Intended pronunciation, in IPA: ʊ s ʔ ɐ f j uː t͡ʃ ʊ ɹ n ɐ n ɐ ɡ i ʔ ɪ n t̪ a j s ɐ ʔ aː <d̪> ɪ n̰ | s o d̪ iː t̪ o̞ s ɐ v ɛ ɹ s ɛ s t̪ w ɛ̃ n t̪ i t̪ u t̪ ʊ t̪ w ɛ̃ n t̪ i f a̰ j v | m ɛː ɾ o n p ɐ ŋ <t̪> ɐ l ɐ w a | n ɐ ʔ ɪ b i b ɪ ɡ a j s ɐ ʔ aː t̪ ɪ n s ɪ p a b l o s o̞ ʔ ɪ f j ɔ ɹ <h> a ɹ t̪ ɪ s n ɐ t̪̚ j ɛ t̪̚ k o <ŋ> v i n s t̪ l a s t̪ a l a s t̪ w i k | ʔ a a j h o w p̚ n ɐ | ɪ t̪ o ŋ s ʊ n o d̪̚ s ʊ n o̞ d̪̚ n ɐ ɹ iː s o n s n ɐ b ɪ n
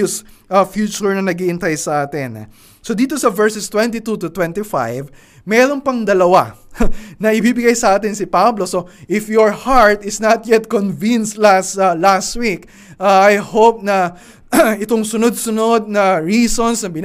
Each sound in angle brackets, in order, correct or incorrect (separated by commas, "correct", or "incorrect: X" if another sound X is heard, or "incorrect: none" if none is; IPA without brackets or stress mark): incorrect: t̪, incorrect: d̪, correct, incorrect: n